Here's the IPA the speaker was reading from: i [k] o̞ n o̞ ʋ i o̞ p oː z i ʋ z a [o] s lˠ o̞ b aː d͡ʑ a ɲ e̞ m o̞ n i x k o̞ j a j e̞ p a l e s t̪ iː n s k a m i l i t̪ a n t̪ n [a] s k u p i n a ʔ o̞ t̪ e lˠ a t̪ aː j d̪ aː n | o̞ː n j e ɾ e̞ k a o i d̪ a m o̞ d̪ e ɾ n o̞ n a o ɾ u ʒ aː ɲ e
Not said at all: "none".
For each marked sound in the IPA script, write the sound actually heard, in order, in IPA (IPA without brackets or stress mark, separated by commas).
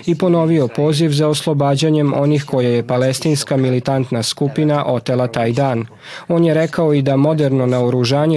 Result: p, o, a